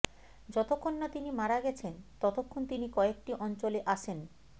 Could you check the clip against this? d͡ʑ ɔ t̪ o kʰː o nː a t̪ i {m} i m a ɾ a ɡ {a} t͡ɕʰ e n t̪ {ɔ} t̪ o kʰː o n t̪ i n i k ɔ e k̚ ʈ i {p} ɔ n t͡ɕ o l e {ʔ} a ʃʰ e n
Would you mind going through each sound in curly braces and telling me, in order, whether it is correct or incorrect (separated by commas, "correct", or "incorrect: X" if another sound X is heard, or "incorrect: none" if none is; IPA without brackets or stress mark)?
incorrect: n, incorrect: ɛ, correct, incorrect: ʔ, correct